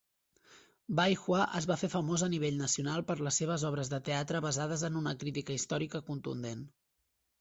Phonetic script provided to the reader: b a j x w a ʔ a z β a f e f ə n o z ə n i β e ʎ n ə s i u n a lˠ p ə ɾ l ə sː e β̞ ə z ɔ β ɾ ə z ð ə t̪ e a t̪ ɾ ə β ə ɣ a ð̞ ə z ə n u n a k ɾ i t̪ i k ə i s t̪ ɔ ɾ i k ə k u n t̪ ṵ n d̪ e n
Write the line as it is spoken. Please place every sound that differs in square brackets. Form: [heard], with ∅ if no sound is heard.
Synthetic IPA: b a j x w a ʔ [ə] z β a f e f ə [m] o z ə n i β e ʎ n ə s i u n a lˠ p ə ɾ l ə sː e β̞ ə z ɔ β ɾ ə z ð ə t̪ e a t̪ ɾ ə β ə [z] a ð̞ ə z ə n u n [ə] k ɾ i t̪ i k ə i s t̪ ɔ ɾ i k ə k u n t̪ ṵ n d̪ e n

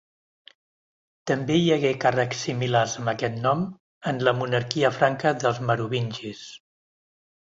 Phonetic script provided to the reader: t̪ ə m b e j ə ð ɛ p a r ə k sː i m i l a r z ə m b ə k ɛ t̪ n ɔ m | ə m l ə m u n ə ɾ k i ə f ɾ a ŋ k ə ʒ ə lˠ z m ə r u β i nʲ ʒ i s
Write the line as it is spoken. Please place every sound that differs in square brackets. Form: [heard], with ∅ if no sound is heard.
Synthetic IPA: t̪ ə m b e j ə [ɣ] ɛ [k] a r ə k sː i m i l a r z ə m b ə k ɛ t̪ n ɔ m | ə [n] l ə m u n ə ɾ k i ə f ɾ a ŋ k ə [ð] ə lˠ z m ə [ɾ] u β i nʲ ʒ i s

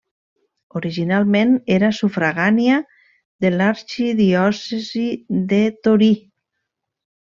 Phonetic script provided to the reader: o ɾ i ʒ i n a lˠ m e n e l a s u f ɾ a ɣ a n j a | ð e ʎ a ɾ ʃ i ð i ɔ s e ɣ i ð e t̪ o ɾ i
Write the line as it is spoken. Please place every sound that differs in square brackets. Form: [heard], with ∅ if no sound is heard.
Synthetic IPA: o ɾ i ʒ i n a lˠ m e n e [ɾ] a s u f ɾ a ɣ a n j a | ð e [l] a ɾ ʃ i ð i ɔ s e [z] i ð e t̪ o ɾ i

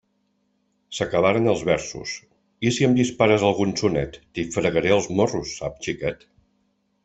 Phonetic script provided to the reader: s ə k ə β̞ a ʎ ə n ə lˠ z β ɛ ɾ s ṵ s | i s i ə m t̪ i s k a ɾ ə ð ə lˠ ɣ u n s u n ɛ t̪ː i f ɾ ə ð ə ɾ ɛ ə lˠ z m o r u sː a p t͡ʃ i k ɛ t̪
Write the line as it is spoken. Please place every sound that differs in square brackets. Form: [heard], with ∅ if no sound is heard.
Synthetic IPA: s ə k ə β̞ a [ɾ] ə n ə lˠ z β ɛ ɾ s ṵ s | i s i ə m [d̪] i s [p] a ɾ ə [z] ə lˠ ɣ u n s u n ɛ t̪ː i f ɾ ə [ɣ] ə ɾ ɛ ə lˠ z m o r u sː a p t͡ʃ i k ɛ t̪

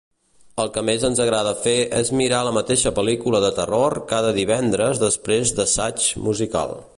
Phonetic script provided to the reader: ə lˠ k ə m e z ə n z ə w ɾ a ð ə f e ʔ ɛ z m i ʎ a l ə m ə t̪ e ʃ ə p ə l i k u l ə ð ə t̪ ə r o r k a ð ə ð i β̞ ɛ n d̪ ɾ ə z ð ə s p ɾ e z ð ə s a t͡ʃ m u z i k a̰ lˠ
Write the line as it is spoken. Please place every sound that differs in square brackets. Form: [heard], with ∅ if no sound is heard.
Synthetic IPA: ə lˠ k ə m e z ə n z ə [ɣ] ɾ a ð ə f e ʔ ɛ z m i [ɾ] a l ə m ə t̪ e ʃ ə p ə l i k u l ə ð ə t̪ ə r o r k a ð ə ð i β̞ ɛ n d̪ ɾ ə z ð ə s p ɾ e z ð ə s a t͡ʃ m u z i k a̰ lˠ

